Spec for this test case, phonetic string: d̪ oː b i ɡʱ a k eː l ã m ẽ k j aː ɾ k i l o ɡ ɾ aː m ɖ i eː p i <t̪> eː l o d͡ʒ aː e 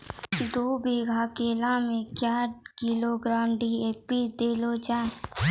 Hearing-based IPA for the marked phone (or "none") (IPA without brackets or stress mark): d̪